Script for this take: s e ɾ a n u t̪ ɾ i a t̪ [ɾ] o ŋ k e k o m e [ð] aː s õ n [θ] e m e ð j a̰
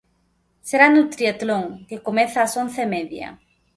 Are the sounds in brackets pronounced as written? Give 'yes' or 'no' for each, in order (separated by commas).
no, no, yes